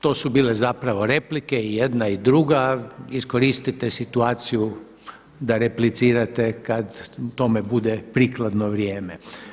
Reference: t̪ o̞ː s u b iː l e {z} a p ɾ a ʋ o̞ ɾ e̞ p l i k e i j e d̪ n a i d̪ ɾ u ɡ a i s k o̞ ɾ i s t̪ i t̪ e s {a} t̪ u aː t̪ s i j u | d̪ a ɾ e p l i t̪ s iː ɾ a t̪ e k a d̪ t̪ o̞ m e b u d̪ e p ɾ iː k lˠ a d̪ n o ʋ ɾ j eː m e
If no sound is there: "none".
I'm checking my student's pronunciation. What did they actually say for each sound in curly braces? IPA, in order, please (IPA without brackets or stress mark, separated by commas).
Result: z, i